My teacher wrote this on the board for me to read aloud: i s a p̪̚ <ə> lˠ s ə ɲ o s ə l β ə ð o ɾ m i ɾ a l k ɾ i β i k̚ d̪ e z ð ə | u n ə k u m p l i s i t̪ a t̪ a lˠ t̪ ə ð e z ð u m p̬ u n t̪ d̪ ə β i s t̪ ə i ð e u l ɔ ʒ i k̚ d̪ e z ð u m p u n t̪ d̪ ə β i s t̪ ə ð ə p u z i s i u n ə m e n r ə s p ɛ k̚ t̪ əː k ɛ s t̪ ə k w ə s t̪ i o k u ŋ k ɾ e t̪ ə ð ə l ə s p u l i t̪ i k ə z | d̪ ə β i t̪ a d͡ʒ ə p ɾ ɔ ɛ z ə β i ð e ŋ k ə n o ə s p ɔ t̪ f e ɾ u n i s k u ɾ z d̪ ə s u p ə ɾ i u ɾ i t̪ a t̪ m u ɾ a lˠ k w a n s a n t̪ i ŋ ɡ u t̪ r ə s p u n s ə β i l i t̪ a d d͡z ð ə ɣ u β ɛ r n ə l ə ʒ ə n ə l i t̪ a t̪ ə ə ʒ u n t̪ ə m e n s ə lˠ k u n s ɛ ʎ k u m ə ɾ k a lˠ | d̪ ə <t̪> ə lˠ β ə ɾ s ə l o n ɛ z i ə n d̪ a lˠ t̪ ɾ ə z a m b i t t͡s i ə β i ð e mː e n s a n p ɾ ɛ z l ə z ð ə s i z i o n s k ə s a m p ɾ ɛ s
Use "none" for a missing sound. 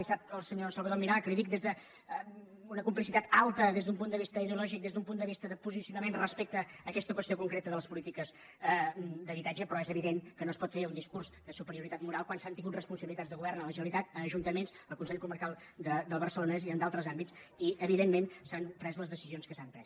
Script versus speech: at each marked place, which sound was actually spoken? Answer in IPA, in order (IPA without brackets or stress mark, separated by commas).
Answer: ə, d̪